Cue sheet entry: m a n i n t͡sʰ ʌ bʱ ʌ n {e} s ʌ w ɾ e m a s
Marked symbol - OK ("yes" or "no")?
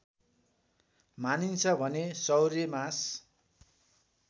yes